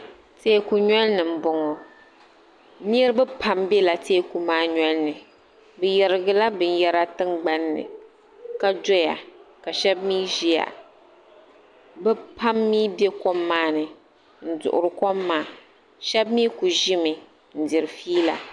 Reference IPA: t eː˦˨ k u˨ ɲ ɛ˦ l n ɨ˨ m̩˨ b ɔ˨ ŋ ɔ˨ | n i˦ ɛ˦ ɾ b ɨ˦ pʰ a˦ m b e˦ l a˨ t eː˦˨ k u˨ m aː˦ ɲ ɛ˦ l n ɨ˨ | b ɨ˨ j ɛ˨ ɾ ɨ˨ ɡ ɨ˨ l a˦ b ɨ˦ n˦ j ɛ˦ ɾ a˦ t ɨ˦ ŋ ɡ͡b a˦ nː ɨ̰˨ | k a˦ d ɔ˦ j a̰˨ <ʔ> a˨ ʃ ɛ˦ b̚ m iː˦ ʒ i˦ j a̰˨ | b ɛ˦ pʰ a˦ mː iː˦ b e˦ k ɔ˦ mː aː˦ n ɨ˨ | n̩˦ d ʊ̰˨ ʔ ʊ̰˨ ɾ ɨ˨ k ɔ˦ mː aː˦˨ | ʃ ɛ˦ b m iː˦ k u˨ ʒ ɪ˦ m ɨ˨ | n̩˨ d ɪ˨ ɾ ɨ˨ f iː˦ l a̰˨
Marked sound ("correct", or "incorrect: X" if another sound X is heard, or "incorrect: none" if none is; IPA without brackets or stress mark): incorrect: k